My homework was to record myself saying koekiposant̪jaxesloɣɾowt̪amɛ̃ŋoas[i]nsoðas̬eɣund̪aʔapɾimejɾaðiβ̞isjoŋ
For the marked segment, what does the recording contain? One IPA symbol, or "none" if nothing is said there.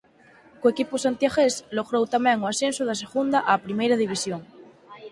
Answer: e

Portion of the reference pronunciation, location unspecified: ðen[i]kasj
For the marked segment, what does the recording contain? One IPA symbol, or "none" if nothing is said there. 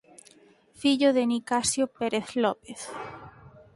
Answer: i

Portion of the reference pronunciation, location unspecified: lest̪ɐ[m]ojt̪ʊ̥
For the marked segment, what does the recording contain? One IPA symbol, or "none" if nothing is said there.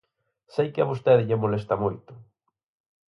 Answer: m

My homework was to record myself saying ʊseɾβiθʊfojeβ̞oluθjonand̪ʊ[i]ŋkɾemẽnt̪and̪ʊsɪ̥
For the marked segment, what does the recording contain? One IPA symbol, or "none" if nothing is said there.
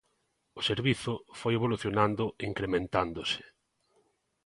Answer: i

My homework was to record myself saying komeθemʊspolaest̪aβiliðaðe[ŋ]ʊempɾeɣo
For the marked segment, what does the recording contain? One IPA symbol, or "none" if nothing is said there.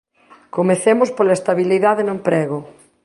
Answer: n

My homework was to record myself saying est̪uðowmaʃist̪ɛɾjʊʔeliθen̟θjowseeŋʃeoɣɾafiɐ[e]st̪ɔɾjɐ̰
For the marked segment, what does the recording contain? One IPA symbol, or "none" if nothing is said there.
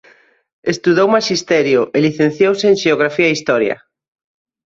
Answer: i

